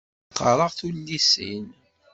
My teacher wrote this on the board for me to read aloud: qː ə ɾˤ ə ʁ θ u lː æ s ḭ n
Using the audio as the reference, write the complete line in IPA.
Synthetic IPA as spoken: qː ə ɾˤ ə ʁ θ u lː i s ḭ n